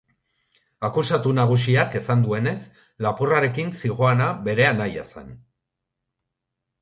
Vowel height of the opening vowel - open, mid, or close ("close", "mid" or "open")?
open